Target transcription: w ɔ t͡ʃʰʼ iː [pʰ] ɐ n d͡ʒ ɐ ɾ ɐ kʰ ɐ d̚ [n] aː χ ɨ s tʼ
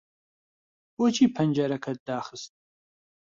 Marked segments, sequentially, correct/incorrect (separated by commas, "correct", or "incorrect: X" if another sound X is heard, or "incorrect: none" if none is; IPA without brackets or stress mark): correct, incorrect: d